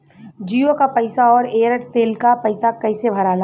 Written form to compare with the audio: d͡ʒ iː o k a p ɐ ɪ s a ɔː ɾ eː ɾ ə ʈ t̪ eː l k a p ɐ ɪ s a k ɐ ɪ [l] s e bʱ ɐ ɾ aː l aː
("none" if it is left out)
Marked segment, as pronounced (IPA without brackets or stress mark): none